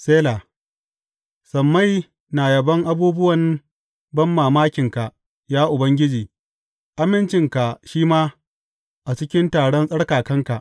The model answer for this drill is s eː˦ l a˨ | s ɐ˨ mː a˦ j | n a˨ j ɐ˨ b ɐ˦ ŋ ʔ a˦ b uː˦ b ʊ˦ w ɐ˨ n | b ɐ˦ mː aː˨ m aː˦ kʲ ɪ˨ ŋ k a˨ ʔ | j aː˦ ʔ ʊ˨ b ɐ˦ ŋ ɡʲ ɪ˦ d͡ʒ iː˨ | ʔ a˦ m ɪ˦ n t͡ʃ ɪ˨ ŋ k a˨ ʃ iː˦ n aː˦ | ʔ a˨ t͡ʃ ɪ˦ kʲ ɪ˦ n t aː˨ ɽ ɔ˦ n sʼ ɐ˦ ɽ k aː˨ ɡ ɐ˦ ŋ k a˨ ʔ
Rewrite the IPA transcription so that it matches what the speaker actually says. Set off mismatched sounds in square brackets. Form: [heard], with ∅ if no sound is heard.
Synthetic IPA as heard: s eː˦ l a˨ | s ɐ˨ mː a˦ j | n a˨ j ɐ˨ b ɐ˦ ŋ ʔ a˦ b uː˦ b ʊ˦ w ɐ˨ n | b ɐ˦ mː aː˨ m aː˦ kʲ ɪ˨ ŋ k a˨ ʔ | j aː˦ ʔ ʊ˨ b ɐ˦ ŋ ɡʲ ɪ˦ d͡ʒ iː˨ | ʔ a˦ m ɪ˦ n t͡ʃ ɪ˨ ŋ k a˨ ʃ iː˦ [m] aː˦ | ʔ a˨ t͡ʃ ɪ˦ kʲ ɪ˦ n t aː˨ ɽ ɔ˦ n sʼ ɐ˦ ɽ k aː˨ [k] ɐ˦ ŋ k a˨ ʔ

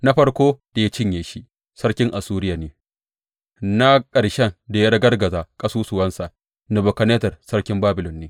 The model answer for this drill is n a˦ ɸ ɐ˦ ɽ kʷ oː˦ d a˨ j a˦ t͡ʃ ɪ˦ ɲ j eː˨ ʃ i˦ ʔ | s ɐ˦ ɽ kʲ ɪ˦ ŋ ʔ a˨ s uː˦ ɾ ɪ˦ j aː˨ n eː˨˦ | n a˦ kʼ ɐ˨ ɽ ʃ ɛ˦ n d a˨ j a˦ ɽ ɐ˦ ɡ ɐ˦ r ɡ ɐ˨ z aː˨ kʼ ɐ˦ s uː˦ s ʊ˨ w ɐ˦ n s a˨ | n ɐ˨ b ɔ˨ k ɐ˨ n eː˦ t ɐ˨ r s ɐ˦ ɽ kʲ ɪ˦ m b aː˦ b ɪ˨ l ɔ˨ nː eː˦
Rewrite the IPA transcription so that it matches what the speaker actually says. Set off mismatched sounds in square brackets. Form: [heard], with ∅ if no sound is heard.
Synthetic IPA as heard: n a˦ ɸ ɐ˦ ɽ kʷ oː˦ d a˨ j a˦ t͡ʃ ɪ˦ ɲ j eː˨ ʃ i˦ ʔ | s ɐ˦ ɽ kʲ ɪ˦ ŋ ʔ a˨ s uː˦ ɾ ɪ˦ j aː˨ n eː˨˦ | n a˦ kʼ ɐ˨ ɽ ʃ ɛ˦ n d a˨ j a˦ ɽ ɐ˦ ɡ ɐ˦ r ɡ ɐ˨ z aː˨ kʼ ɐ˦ s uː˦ s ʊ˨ w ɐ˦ n s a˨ | n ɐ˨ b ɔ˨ k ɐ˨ n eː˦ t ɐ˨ r s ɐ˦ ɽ kʲ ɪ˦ m b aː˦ b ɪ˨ l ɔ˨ nː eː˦

